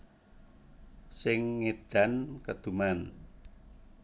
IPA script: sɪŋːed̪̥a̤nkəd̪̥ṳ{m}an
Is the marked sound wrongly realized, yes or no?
no